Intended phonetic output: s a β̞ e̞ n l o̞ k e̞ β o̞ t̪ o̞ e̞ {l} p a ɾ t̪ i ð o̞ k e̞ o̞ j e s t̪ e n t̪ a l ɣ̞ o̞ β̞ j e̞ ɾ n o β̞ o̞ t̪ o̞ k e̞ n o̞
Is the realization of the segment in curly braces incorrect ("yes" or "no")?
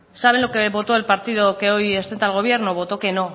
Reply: no